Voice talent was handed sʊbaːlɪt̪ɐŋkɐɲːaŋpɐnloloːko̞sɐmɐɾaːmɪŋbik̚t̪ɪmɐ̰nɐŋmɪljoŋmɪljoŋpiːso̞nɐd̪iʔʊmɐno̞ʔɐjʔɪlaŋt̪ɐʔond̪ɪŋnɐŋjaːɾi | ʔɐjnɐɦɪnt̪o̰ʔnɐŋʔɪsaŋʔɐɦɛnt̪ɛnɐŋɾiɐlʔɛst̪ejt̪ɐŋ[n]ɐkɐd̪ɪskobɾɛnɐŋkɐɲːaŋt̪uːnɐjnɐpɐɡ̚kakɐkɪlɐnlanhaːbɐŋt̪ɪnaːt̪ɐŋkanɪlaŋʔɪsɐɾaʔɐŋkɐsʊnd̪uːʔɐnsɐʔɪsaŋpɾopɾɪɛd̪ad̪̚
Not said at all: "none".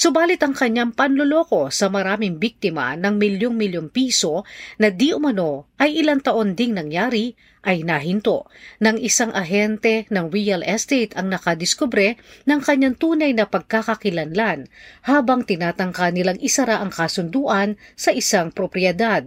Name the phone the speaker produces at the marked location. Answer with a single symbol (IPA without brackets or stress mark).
n